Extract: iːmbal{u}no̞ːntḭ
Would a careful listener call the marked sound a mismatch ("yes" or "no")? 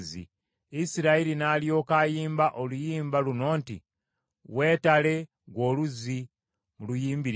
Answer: no